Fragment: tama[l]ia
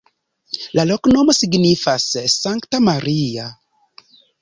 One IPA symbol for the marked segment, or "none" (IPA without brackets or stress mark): ɾ